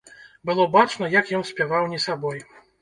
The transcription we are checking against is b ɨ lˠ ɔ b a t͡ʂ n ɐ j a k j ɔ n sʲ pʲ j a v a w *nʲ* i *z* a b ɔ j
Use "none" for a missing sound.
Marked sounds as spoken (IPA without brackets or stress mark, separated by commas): nʲ, s